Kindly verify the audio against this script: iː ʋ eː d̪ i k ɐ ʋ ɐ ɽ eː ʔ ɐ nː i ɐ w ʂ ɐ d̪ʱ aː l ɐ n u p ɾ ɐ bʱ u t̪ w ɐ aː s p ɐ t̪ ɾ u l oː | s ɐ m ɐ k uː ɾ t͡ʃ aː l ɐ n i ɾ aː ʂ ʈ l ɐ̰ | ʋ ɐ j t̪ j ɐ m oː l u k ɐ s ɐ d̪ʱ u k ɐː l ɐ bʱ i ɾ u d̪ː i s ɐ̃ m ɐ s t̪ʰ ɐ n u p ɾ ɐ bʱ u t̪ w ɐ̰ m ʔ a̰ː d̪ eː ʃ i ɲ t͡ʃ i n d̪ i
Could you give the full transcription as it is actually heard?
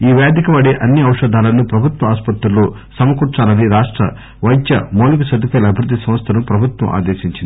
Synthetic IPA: iː ʋ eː d̪ i k ɐ ʋ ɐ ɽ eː ʔ ɐ nː i ɐ w ʂ ɐ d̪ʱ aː l ɐ n u p ɾ ɐ bʱ u t̪ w ɐ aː s p ɐ t̪ ɾ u l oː | s ɐ m ɐ k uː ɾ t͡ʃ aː l ɐ n i ɾ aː ʂ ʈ ɾ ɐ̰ | ʋ ɐ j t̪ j ɐ m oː l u k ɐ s ɐ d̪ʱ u k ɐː l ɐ bʱ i ɾ u d̪ː i s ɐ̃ m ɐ s t̪ʰ ɐ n u p ɾ ɐ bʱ u t̪ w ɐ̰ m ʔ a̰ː d̪ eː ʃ i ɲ t͡ʃ i n d̪ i